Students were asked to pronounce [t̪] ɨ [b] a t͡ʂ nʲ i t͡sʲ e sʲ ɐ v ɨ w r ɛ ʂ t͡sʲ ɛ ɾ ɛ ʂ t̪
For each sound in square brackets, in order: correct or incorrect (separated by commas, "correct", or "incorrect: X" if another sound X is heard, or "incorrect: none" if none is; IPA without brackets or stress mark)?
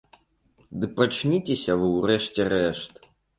incorrect: d̪, incorrect: p